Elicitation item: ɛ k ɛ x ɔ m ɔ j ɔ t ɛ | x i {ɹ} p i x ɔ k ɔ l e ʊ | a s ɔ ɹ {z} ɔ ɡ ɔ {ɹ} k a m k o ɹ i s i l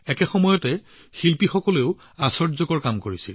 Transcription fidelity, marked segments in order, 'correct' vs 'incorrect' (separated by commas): incorrect, correct, correct